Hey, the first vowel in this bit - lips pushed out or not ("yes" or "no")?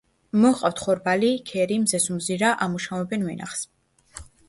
yes